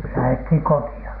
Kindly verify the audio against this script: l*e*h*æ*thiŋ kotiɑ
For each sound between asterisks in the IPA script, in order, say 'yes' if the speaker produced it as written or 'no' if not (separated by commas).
no, no